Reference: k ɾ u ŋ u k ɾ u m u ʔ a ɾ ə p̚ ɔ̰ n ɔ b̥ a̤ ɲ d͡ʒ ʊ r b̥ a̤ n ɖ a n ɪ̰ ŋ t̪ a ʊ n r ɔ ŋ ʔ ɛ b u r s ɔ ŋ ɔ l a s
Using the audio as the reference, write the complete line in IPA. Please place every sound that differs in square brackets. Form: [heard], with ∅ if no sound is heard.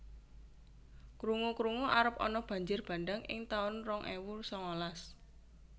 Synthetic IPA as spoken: k ɾ u ŋ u k ɾ u [ŋ] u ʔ a ɾ ə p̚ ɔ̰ n ɔ b̥ a̤ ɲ d͡ʒ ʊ r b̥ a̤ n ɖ a [ŋ] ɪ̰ ŋ t̪ a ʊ n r ɔ ŋ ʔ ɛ [w] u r s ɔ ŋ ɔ l a s